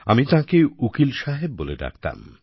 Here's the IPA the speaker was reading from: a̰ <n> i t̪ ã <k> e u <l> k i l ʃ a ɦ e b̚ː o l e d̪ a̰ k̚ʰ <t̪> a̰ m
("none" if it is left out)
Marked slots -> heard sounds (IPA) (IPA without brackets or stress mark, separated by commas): m, k, none, t̪